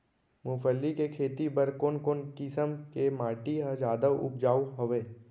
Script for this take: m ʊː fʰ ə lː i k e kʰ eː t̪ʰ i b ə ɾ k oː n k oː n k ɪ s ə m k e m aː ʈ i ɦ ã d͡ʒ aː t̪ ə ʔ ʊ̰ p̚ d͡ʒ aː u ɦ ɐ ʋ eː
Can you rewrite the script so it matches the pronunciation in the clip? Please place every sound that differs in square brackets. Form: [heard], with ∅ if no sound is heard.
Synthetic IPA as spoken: m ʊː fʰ ə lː i k e kʰ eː [t̪] i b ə ɾ k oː n k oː n k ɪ s ə m k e m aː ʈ i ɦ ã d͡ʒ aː [d̪] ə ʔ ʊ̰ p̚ d͡ʒ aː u ɦ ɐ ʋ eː